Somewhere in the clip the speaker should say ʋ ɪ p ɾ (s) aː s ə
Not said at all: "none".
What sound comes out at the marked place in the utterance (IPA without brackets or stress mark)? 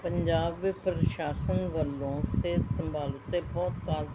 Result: ʃ